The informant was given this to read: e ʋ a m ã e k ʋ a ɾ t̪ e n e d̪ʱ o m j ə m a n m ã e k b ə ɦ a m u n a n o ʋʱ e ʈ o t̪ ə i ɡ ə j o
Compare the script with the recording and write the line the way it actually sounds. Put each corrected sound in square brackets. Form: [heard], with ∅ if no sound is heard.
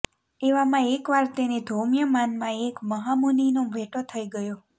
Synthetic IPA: e ʋ a m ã e k ʋ a ɾ t̪ e n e d̪ʱ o m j ə m a n m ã e k [m] ə ɦ a m u n [i] n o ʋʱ e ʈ o [t̪ʰ] ə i ɡ ə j o